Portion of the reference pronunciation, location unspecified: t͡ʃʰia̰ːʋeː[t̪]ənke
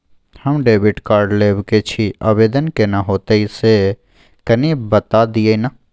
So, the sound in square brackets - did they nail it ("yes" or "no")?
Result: no